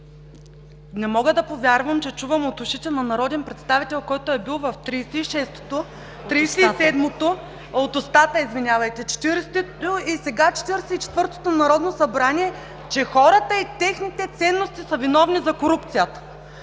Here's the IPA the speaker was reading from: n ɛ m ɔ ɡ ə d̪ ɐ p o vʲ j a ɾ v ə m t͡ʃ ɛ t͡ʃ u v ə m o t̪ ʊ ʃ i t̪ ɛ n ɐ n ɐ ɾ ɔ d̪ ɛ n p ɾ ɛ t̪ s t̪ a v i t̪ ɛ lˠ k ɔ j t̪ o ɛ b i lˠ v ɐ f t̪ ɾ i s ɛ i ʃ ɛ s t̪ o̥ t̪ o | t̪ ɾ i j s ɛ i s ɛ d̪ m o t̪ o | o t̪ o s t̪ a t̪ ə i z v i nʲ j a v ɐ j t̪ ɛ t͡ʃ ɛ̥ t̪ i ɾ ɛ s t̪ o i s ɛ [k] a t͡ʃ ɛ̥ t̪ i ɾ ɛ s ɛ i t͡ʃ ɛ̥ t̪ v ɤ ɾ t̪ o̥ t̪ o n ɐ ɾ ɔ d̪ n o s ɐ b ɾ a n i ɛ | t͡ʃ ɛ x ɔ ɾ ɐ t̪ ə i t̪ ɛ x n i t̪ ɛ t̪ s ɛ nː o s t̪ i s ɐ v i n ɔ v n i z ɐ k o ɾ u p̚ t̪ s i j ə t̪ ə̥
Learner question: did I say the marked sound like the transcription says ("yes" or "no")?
no